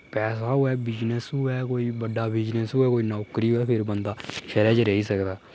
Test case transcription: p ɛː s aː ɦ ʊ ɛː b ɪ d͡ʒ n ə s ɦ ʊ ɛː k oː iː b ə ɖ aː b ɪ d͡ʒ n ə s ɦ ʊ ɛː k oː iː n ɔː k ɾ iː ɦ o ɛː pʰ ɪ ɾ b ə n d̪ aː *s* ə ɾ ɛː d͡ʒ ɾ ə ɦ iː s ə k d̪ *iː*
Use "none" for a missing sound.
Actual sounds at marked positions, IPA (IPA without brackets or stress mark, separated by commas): ʃ, aː